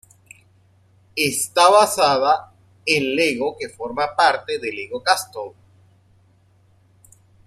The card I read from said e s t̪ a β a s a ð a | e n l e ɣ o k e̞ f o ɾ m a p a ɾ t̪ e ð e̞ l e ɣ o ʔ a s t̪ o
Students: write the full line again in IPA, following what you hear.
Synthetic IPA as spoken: e s t̪ a β a s a ð a | e n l e ɣ o k e̞ f o ɾ m a p a ɾ t̪ e ð e̞ l e ɣ o k a s t̪ o